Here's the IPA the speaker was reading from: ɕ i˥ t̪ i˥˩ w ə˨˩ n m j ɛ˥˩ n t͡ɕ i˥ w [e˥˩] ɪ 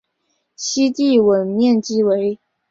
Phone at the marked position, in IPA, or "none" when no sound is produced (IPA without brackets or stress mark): e˧˥